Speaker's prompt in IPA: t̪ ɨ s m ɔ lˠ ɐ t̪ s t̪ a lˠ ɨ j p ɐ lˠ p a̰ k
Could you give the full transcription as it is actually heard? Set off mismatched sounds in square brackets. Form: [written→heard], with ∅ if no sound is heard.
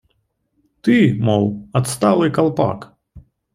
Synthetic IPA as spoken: t̪ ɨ [s→∅] m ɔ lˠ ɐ t̪ s t̪ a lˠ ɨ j [p→k] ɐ lˠ p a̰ k